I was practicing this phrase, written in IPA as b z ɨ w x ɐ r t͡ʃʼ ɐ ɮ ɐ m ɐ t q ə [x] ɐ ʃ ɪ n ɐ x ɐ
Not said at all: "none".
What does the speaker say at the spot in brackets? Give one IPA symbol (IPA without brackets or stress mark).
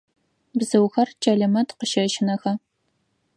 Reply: ʃ